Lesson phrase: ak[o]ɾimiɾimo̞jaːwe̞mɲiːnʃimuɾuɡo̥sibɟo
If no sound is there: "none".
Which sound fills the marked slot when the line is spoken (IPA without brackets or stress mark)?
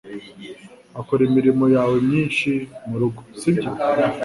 o